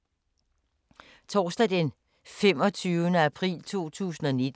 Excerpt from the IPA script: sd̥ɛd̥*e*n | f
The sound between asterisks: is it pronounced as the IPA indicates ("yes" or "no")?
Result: yes